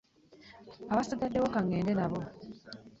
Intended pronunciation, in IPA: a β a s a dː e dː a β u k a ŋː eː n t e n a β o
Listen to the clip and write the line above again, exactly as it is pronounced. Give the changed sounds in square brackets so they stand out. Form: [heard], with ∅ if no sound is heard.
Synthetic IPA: a β a s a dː [a] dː [e] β [o] k a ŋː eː n [d] e n a β o

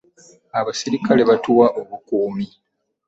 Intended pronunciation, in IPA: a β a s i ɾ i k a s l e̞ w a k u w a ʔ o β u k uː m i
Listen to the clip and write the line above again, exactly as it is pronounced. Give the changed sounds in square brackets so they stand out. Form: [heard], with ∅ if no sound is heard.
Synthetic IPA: a β a s i ɾ i k a [∅] l e̞ [β] a [t] u w a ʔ o β u k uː m i

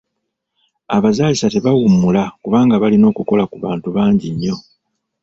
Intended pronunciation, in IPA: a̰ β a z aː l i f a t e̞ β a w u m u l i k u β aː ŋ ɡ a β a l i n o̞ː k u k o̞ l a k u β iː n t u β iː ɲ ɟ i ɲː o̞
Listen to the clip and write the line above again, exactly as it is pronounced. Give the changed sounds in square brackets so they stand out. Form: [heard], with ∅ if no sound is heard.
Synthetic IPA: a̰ β a z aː l i [s] a t e̞ β a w u m u l [a] k u β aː ŋ ɡ a β a l i n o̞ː k u k o̞ l a k u β [aː] n t u β [aː] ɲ ɟ i ɲː o̞

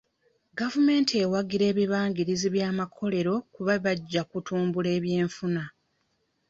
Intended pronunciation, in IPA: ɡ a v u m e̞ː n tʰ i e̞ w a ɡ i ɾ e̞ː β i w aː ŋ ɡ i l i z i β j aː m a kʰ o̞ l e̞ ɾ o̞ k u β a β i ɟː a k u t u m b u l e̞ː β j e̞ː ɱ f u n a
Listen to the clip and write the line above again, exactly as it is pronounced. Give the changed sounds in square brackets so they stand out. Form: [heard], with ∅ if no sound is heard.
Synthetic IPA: ɡ a v u m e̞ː n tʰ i e̞ w a ɡ i ɾ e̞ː β i [β] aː ŋ ɡ i [ɾ] i z i β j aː m a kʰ o̞ l e̞ ɾ o̞ k u β a β [a] ɟː a k u t [uː] m b u l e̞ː β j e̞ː ɱ f u n a

